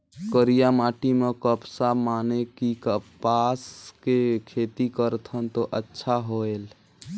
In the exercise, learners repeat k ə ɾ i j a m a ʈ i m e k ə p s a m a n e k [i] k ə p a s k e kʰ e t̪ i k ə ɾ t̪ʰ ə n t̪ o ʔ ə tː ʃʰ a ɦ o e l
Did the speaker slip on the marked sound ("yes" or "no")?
no